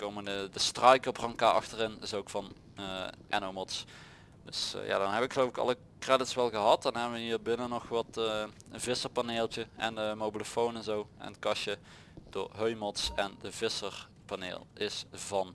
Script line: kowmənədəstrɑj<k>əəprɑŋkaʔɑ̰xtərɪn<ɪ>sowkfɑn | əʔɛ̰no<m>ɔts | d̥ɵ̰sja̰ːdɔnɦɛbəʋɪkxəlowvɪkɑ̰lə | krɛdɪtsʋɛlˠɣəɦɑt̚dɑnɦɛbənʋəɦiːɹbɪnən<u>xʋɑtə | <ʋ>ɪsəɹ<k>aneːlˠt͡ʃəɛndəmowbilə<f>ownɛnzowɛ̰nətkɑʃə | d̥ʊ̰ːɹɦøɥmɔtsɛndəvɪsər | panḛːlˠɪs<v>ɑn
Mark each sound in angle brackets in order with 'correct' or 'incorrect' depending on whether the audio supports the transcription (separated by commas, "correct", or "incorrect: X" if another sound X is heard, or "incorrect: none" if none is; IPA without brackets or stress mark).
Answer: correct, correct, correct, incorrect: ɔ, incorrect: v, incorrect: p, correct, correct